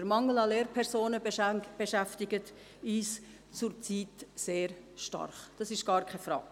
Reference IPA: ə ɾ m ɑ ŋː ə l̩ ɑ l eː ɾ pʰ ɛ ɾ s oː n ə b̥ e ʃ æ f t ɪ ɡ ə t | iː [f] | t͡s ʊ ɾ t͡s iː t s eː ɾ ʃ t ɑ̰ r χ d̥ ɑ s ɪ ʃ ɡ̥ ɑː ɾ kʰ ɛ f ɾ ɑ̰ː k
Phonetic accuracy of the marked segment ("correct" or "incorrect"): incorrect